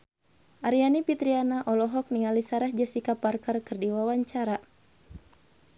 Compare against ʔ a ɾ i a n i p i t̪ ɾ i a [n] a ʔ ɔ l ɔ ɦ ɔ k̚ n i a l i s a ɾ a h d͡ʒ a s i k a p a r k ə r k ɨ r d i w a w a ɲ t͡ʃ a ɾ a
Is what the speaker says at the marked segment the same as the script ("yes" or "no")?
yes